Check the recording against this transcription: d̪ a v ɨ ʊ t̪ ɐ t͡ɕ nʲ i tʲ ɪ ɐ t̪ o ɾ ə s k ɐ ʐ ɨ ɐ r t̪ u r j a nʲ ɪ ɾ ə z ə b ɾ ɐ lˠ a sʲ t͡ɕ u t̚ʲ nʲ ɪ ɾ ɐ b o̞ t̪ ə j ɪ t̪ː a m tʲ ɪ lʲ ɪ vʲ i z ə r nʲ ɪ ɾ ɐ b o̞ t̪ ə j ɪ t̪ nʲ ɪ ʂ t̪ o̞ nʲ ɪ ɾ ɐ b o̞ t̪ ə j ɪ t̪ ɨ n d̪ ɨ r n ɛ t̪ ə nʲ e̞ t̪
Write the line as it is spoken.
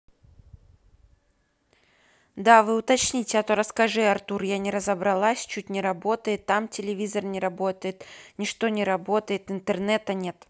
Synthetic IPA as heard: d̪ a v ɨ ʊ t̪ ɐ t͡ɕ nʲ i tʲ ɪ ɐ t̪ o ɾ ə s k ɐ ʐ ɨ ɐ r t̪ u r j a nʲ ɪ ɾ ə z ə b ɾ ɐ lˠ a sʲ t͡ɕ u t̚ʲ nʲ ɪ ɾ ɐ b o̞ t̪ ə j ɪ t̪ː a m tʲ ɪ lʲ ɪ vʲ i z ə r nʲ ɪ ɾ ɐ b o̞ t̪ ə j ɪ t̪ nʲ ɪ ʂ t̪ o̞ nʲ ɪ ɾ ɐ b o̞ t̪ ə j ɪ t̪ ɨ n t̪ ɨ r n ɛ t̪ ə nʲ e̞ t̪